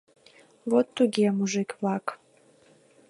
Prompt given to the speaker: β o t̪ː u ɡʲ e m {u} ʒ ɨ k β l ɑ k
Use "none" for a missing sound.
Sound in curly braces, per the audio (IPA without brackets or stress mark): u